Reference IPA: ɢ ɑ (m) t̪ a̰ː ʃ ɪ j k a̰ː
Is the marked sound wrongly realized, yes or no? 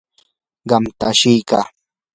no